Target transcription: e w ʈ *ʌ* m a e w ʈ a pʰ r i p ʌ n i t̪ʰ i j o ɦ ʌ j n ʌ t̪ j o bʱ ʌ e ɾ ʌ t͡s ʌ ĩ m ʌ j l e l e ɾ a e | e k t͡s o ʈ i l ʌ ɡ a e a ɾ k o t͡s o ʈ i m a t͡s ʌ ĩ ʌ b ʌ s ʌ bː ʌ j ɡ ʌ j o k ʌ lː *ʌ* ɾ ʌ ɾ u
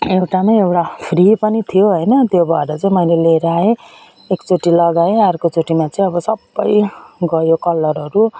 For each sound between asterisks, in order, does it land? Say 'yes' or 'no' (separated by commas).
no, yes